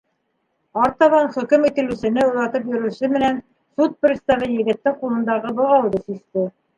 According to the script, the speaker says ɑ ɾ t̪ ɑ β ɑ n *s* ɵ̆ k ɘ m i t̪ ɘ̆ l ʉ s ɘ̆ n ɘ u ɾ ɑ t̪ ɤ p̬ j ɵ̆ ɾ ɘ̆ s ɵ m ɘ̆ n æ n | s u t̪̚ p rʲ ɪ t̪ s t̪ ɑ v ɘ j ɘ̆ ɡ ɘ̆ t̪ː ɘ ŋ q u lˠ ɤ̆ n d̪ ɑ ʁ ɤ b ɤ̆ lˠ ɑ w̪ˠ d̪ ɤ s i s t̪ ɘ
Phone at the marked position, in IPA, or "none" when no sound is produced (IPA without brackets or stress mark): χ